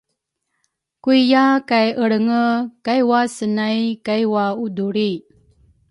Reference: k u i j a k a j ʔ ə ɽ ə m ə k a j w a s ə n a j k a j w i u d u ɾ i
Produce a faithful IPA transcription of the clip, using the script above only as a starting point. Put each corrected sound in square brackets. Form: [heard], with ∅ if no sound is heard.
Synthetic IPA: k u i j a k a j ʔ ə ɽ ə [ŋ] ə k a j w a s ə n a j k a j w [a] u d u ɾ i